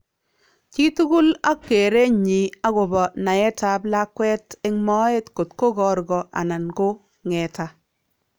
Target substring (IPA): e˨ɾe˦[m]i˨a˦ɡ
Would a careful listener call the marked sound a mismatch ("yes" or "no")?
yes